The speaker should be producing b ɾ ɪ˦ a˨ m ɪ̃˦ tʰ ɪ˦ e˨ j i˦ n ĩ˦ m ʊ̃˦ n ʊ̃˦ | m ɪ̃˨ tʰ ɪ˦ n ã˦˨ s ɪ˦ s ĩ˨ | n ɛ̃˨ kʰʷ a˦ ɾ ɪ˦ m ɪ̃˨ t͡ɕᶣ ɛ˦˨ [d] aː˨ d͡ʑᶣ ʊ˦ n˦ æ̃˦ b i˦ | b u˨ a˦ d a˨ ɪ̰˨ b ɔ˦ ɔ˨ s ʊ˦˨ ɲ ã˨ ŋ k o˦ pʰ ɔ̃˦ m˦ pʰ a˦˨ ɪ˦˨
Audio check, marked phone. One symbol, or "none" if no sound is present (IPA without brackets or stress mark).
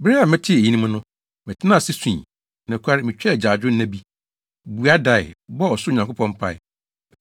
d͡ʑ